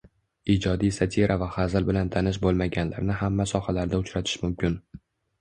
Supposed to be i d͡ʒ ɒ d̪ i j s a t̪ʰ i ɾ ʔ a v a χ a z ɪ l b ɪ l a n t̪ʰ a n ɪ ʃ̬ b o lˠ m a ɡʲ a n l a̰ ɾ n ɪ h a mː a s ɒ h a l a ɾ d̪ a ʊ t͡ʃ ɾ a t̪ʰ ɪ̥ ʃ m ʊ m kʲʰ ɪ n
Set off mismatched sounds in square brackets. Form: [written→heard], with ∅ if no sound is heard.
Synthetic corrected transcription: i d͡ʒ ɒ d̪ i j s a t̪ʰ i ɾ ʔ a v a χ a z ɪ l b ɪ l a n t̪ʰ a n ɪ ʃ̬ b o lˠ m a ɡʲ a n l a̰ ɾ n ɪ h a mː a s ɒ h a l a ɾ d̪ a ʊ t͡ʃ ɾ a t̪ʰ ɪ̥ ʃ m ʊ m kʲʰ ɪ n